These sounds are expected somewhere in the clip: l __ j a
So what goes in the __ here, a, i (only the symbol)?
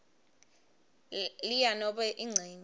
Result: i